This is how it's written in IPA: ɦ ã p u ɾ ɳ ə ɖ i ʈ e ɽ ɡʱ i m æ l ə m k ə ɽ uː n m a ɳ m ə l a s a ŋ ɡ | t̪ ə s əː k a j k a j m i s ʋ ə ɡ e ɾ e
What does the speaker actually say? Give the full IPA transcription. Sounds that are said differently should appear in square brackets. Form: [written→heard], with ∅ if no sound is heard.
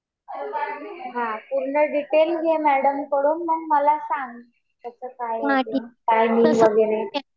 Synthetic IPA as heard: ɦ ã p u ɾ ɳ ə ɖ i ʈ e [ɽ→l] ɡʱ [i→e] m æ [l→ɽ] ə m k ə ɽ uː n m [a→ə] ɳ m ə l a s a ŋ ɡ | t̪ ə s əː k a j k a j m i [s→∅] ʋ ə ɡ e ɾ e

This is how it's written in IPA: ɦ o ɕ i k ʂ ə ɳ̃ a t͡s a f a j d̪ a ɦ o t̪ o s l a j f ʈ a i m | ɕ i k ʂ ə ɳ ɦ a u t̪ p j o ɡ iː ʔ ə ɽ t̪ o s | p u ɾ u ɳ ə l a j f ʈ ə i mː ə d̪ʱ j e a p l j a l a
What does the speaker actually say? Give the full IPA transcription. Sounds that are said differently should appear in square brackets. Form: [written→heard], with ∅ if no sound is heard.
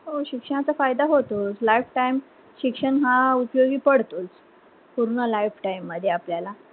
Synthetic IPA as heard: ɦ o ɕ i k ʂ ə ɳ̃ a t͡s a f a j d̪ a ɦ o t̪ o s l a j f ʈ a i m | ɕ i k ʂ ə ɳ ɦ a u [t̪→∅] p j o ɡ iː [ʔ→p] ə ɽ t̪ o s | p u ɾ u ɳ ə l a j f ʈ [ə→a] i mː ə d̪ʱ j e a p l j a l a

